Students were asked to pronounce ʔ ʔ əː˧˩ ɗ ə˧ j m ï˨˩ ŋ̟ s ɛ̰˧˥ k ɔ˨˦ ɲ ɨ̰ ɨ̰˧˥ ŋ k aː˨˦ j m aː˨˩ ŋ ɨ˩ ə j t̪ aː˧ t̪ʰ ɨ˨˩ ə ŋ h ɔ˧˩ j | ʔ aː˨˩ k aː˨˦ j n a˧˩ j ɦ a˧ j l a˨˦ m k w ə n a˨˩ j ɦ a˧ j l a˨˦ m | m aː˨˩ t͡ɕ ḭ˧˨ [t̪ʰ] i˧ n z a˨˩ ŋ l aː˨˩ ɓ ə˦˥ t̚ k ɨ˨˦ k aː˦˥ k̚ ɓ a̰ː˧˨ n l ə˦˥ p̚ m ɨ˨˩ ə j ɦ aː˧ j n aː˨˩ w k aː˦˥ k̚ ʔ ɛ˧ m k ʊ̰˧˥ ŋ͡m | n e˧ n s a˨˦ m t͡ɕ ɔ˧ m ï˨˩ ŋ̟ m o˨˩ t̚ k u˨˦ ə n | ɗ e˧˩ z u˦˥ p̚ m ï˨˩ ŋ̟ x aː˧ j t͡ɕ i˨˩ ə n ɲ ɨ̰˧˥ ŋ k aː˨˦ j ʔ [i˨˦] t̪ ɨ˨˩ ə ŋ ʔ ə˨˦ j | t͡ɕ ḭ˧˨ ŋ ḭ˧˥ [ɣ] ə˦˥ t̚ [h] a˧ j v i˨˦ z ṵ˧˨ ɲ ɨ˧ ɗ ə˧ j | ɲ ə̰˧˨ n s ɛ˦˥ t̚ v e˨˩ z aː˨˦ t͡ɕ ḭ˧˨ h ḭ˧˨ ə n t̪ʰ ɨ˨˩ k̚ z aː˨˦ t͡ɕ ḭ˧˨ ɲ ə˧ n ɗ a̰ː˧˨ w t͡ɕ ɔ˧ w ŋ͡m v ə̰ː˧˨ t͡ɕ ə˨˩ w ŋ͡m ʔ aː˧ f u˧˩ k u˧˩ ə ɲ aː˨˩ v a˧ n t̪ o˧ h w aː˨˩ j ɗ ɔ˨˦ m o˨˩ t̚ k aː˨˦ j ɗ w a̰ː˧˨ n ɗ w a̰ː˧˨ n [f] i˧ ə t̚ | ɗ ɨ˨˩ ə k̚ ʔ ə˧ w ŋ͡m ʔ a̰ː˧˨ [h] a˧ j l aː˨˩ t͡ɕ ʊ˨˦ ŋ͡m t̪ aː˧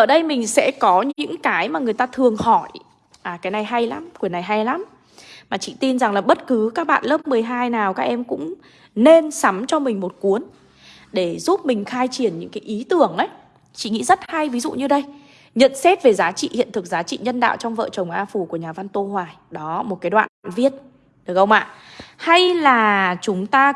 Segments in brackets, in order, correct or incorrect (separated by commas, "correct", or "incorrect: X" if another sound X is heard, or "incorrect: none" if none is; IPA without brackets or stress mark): incorrect: t̪, correct, incorrect: z, correct, incorrect: v, correct